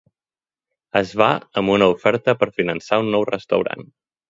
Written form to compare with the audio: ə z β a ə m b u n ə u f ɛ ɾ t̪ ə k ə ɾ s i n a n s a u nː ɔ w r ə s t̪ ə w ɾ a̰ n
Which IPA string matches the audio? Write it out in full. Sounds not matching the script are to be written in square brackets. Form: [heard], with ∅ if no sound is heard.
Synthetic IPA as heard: ə z β a ə m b u n ə u f ɛ ɾ t̪ ə [p] ə ɾ [f] i n [ə] n s a u nː ɔ w r ə s t̪ ə w ɾ a̰ n